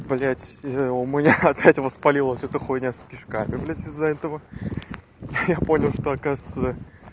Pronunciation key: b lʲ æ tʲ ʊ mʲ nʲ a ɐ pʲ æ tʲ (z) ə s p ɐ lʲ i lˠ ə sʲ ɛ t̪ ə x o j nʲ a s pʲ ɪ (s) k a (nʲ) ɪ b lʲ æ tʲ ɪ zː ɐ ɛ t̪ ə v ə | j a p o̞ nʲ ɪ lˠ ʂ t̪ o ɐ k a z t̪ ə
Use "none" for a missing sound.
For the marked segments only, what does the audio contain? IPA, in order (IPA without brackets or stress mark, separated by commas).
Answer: v, ʂ, mʲ